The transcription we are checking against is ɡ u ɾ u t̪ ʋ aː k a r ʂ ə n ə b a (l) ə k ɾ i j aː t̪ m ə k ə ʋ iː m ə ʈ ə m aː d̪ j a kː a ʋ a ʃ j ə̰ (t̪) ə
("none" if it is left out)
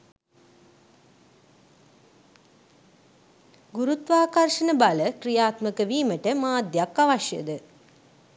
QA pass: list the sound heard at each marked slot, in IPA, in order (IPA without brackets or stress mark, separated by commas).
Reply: l, d̪